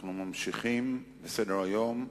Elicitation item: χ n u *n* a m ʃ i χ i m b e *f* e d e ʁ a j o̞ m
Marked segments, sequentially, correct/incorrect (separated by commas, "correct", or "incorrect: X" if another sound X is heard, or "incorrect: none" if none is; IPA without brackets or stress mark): incorrect: m, incorrect: s